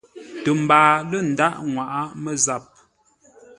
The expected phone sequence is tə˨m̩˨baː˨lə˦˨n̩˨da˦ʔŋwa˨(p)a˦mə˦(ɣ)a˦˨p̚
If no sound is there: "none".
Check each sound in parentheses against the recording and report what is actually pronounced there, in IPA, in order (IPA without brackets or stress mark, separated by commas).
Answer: ʔ, z